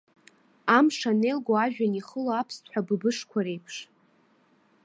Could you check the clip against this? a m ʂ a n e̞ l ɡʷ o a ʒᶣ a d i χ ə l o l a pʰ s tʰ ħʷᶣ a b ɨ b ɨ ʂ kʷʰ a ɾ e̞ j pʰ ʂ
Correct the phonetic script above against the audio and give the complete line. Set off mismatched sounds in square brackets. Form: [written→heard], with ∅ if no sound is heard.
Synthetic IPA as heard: a m ʂ a n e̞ l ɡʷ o a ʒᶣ a [d→n] i χ ə l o [l→∅] a pʰ s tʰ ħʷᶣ a b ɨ b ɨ ʂ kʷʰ a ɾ e̞ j pʰ ʂ